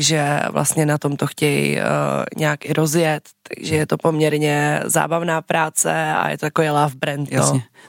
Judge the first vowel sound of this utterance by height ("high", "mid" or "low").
mid